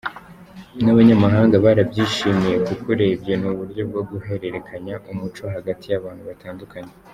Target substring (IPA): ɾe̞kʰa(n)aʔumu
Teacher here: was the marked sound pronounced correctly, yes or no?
no